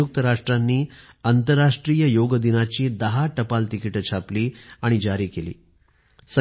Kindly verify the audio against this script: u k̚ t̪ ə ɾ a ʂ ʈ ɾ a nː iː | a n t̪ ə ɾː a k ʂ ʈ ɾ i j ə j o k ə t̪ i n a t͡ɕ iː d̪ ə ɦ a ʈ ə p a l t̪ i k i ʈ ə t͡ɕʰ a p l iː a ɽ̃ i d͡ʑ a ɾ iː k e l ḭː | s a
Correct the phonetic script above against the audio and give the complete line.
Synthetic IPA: u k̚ t̪ ə ɾ a ʂ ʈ ɾ a nː iː | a n t̪ ə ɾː a ʂ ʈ ɾ i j ə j o ɡ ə d̪ i n a t͡ɕ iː d̪ ə ɦ a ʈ ə p a l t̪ i k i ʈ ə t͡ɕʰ a p l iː a ɽ̃ i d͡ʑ a ɾ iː k e l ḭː | s ə